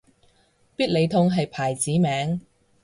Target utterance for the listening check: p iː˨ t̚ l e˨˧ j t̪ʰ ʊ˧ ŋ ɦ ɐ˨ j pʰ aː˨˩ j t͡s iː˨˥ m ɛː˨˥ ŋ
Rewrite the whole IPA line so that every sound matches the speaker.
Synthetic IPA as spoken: p iː˥ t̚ l e˨˧ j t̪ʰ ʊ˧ ŋ ɦ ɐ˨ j pʰ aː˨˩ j t͡s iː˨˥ m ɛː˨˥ ŋ